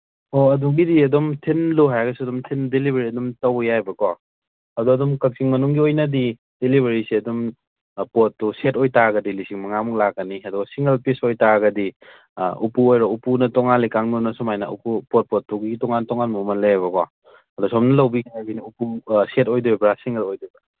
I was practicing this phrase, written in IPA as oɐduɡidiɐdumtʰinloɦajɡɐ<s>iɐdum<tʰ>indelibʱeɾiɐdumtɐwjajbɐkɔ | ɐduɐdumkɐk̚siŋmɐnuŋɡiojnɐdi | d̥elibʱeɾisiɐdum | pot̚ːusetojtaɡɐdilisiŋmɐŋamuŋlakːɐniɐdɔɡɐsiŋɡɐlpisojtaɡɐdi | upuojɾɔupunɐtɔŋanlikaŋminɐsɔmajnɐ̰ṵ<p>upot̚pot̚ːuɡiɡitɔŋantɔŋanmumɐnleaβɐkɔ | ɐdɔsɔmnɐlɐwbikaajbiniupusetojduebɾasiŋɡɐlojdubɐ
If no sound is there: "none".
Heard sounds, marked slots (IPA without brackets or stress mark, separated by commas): s, tʰ, p